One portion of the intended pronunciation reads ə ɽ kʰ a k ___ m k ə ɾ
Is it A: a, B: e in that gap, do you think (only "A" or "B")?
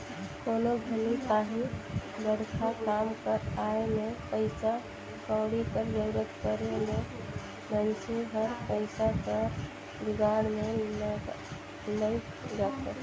A